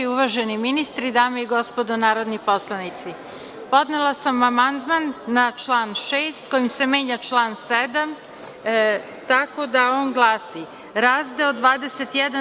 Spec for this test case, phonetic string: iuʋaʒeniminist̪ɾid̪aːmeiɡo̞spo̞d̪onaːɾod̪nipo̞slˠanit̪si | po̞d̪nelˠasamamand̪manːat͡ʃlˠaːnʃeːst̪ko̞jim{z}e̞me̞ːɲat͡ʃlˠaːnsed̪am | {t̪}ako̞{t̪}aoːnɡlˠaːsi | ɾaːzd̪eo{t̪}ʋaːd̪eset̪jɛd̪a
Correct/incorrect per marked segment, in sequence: incorrect: s, correct, incorrect: d̪, incorrect: d̪

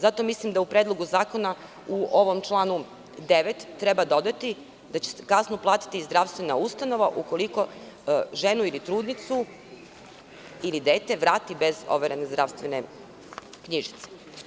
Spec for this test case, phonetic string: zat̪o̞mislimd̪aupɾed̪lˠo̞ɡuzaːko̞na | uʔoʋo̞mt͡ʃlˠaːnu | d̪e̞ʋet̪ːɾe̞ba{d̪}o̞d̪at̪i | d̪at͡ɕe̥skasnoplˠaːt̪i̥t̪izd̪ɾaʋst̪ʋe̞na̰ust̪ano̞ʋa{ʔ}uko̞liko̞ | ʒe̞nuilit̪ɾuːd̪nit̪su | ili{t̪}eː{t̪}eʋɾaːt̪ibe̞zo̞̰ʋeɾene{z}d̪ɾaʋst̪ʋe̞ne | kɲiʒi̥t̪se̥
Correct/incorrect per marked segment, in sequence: correct, correct, incorrect: d̪, correct, correct

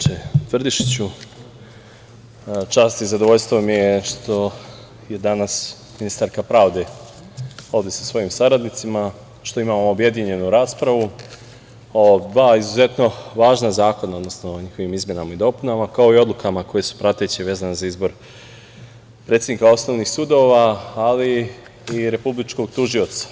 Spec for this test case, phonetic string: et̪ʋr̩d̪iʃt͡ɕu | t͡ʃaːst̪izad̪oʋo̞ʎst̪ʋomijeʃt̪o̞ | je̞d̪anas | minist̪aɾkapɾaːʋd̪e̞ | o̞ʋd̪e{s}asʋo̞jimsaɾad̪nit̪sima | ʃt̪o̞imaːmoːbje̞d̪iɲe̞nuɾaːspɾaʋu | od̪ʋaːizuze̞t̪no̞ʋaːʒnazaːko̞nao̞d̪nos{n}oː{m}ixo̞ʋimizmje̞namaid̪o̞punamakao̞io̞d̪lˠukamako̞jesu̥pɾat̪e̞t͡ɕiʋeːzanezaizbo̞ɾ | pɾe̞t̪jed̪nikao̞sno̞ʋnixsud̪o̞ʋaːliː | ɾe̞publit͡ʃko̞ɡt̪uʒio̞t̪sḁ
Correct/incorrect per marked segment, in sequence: correct, correct, incorrect: ɲ

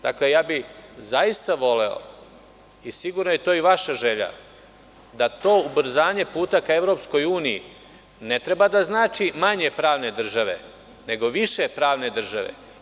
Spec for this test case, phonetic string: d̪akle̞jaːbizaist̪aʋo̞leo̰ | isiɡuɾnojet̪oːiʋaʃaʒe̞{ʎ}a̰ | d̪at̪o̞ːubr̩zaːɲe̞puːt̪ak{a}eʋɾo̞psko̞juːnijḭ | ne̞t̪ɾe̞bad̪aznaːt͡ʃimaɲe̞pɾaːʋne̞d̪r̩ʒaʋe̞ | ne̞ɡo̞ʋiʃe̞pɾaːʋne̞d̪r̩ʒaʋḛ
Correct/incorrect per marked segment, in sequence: correct, correct

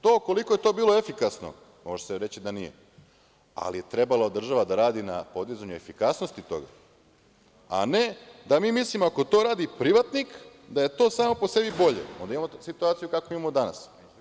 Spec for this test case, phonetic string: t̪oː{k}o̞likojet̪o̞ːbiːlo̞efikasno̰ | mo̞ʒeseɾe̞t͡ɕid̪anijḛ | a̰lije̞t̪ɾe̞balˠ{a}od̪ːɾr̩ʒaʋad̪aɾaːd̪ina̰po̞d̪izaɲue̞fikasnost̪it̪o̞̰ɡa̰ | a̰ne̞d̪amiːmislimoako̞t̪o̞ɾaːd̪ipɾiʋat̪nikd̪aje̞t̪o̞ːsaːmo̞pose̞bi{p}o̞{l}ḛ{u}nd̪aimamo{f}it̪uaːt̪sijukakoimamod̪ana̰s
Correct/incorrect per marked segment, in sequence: correct, correct, incorrect: b, incorrect: ʎ, incorrect: o, incorrect: s

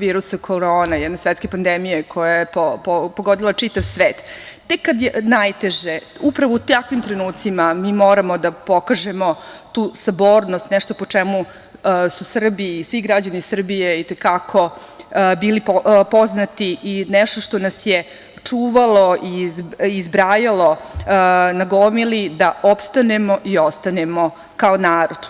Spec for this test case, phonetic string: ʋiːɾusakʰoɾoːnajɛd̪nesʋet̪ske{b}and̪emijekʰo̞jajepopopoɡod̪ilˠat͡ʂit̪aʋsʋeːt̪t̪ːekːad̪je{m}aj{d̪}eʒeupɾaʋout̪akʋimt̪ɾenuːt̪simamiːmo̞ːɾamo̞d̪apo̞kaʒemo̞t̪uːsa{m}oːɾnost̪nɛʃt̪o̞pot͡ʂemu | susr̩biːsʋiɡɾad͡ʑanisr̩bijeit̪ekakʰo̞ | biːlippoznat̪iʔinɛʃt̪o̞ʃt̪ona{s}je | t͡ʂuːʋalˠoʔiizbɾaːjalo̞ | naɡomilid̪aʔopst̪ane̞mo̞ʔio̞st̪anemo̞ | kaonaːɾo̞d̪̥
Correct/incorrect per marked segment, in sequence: incorrect: p, incorrect: n, incorrect: t̪, incorrect: b, correct

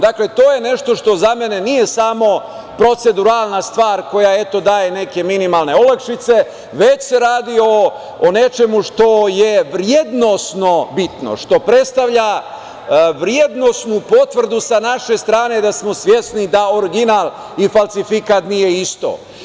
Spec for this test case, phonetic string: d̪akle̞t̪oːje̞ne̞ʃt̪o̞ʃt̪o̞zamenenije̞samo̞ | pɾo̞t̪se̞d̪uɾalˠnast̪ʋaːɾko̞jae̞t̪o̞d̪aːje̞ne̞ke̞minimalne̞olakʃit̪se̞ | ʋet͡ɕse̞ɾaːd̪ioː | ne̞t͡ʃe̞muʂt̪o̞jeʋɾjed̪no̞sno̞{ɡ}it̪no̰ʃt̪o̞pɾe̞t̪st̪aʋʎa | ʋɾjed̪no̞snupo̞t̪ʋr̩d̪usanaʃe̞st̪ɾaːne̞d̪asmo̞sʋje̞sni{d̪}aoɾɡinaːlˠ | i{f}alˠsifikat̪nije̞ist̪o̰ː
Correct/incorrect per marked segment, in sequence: incorrect: b, correct, correct

